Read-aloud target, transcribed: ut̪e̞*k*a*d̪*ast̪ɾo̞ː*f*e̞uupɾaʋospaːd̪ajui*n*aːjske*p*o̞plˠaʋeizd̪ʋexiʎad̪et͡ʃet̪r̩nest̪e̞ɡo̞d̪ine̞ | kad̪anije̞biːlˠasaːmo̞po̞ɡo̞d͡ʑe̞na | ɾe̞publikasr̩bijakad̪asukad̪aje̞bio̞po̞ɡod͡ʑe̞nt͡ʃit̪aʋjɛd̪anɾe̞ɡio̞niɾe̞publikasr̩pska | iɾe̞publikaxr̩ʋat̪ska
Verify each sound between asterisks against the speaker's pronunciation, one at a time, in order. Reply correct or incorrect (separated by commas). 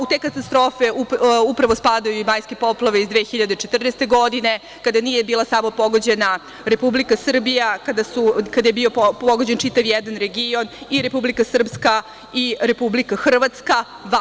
correct, incorrect, correct, incorrect, correct